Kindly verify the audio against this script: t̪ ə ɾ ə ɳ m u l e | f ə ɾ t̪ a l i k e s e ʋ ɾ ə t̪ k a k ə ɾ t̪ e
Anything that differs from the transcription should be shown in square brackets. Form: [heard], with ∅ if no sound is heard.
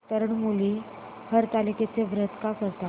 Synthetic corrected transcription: t̪ ə ɾ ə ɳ m u l [i] | [h] ə ɾ t̪ a l i k e [t͡s] e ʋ ɾ ə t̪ k a k ə ɾ t̪ [a]